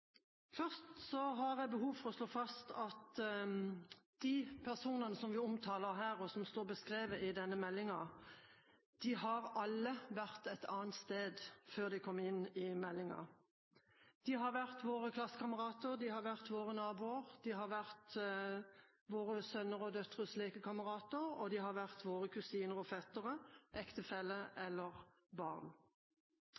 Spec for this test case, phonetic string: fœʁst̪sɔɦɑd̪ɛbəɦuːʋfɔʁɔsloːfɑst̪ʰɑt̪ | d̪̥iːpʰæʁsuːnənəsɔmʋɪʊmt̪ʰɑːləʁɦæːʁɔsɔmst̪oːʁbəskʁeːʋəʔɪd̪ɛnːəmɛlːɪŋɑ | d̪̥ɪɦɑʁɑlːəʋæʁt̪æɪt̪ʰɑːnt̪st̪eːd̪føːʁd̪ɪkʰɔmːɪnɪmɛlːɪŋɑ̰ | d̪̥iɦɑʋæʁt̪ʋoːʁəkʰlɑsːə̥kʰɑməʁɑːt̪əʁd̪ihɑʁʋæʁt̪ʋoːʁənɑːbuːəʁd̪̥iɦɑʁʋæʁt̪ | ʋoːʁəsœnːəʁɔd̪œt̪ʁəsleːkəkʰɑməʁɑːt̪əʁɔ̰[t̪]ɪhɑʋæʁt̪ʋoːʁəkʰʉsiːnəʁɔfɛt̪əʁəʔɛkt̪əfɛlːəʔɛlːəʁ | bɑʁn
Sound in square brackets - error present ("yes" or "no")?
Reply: yes